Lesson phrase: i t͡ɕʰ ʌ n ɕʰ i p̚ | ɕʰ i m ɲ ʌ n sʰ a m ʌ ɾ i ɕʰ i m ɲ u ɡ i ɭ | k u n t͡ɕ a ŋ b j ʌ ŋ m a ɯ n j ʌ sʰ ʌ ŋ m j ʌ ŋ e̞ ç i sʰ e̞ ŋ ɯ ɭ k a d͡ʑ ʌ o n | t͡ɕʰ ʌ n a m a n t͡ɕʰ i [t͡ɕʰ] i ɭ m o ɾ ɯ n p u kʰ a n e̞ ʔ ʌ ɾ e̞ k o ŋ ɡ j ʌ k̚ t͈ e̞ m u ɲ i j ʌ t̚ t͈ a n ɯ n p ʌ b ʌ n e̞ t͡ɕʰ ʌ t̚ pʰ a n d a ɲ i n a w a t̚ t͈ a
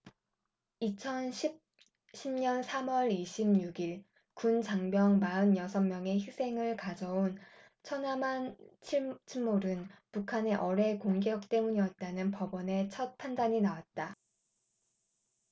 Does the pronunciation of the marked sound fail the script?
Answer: no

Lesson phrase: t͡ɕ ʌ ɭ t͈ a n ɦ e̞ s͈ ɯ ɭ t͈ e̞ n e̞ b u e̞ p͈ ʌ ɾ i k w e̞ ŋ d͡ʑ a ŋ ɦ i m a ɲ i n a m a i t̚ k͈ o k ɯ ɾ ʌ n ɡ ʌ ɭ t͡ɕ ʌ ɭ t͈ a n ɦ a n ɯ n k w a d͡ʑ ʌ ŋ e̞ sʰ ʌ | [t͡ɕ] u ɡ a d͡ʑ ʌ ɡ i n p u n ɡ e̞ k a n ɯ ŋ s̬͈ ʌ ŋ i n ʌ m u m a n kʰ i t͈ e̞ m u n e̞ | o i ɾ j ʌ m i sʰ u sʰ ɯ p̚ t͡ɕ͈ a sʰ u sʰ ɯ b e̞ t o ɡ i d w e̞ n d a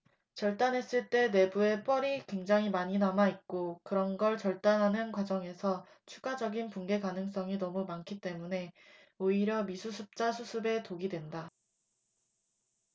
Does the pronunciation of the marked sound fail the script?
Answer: yes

